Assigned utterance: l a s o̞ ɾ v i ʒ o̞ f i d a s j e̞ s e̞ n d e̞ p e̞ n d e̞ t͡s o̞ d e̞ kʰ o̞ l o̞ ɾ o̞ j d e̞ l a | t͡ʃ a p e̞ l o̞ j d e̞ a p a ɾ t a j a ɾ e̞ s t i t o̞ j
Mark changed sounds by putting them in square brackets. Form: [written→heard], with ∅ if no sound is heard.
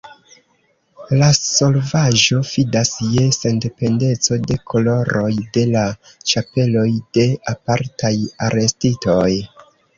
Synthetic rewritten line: l a s o̞ [ɾ→l] v [i→a] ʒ o̞ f i d a s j e̞ s e̞ n d e̞ p e̞ n d e̞ t͡s o̞ d e̞ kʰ o̞ l o̞ ɾ o̞ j d e̞ l a | t͡ʃ a p e̞ l o̞ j d e̞ a p a ɾ t a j a ɾ e̞ s t i t o̞ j